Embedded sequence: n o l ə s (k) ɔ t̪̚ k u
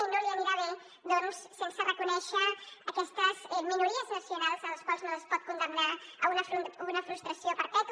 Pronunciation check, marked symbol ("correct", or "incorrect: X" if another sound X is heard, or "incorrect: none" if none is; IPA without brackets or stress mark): incorrect: p